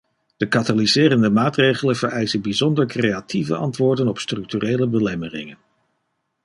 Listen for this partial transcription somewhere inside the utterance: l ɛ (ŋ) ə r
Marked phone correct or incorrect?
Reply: incorrect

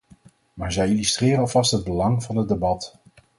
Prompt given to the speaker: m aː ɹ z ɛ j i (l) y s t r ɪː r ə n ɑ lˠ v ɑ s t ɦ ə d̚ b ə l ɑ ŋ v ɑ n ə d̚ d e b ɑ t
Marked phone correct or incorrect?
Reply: correct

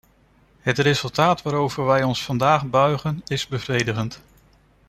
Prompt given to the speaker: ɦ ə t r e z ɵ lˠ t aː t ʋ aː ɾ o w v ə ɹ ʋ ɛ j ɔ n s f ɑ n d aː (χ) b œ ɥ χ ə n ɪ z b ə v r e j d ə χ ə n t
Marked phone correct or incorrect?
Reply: correct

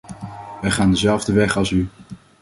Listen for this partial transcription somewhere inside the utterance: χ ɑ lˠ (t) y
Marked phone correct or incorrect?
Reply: incorrect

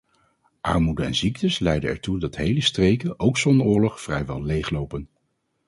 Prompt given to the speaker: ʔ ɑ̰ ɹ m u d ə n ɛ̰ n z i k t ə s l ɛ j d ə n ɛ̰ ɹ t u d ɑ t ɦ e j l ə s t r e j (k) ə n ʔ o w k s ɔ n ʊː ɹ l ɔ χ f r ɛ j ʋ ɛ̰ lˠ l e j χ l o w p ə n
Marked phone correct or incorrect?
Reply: correct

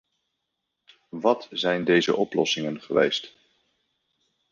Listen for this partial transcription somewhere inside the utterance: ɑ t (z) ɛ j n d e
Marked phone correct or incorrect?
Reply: correct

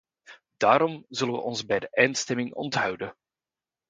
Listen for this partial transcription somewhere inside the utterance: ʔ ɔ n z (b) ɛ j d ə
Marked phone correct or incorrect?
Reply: correct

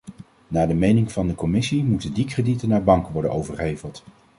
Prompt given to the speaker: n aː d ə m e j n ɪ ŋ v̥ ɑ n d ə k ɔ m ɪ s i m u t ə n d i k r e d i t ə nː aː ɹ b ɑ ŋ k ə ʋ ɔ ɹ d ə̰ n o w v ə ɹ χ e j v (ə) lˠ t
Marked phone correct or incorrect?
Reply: correct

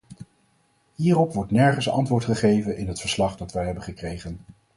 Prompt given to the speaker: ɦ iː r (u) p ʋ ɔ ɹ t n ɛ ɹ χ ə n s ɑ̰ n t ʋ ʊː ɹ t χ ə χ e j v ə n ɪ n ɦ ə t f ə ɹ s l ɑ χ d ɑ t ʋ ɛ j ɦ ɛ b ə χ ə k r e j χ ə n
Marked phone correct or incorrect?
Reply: incorrect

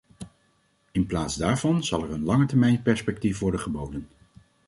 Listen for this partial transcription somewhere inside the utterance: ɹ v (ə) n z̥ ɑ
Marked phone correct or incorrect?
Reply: incorrect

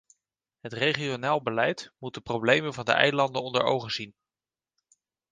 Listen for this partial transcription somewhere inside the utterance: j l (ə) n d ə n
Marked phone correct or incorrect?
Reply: incorrect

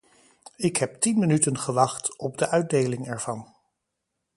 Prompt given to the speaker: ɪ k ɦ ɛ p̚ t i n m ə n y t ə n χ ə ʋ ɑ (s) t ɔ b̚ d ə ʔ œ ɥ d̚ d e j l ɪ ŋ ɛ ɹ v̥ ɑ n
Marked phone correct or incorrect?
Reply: incorrect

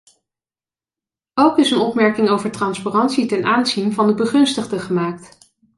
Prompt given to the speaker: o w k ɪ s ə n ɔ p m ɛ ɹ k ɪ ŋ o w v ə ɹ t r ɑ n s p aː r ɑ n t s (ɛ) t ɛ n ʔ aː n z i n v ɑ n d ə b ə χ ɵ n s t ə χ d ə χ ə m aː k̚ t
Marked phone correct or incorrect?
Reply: incorrect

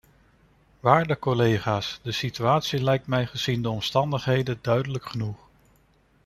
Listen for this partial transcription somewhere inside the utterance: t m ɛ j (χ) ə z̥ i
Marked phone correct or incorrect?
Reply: correct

